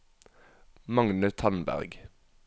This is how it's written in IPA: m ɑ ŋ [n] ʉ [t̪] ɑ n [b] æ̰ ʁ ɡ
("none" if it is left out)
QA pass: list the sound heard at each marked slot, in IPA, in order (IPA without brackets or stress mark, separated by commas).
n, t̪ʰ, b